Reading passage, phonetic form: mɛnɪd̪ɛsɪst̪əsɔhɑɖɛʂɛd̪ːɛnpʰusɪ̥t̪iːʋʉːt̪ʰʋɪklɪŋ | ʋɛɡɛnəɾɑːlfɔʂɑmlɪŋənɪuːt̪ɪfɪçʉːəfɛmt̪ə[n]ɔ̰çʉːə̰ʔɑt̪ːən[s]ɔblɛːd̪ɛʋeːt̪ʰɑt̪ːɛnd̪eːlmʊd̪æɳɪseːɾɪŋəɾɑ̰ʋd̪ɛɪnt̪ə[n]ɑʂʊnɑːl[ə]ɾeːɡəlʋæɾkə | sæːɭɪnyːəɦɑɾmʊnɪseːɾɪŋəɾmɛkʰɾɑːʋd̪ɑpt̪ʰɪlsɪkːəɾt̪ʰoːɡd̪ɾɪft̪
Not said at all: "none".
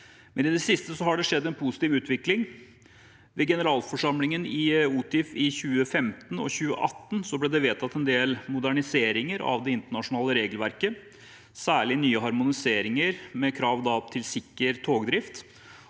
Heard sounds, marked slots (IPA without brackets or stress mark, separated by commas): n, s, ɳ, ə